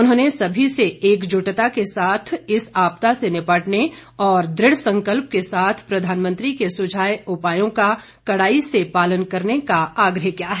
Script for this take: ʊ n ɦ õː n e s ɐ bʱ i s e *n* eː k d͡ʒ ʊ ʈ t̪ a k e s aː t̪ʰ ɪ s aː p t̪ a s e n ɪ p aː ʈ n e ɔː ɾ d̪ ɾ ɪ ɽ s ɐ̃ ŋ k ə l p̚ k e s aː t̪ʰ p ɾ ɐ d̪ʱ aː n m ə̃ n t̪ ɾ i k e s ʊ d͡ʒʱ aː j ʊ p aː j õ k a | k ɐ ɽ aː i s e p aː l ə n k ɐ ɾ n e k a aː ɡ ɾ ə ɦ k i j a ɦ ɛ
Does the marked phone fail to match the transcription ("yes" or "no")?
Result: yes